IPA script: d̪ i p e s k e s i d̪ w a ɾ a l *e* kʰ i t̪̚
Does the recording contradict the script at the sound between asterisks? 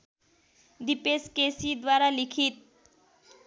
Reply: yes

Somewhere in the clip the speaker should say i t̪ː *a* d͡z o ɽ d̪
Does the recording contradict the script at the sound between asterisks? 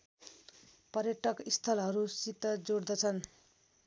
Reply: yes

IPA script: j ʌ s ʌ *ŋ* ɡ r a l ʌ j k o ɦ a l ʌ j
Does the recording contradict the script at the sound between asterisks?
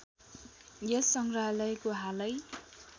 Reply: no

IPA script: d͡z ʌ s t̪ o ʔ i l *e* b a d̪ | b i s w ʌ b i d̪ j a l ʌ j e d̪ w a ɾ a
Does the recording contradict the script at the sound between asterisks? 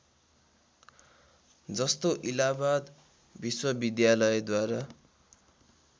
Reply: yes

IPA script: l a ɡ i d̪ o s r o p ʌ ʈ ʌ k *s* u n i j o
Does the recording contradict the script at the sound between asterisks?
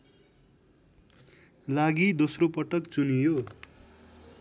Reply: yes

